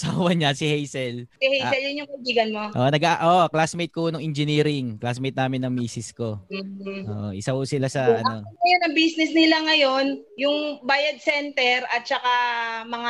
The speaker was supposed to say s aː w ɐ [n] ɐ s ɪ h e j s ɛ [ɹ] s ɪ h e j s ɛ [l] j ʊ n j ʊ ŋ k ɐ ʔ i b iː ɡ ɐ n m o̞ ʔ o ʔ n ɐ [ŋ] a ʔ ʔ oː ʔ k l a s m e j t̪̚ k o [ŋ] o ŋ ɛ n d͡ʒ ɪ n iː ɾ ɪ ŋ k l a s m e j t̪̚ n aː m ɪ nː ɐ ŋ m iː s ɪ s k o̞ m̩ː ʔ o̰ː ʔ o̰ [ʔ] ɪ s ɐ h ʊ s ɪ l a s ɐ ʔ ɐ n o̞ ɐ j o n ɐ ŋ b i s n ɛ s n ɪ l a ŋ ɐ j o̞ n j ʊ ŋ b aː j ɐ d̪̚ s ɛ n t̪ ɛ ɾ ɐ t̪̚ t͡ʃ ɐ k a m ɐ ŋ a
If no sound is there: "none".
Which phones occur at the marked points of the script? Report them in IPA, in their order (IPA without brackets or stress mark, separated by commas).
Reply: ɲ, l, l, ɡ, n, ʔ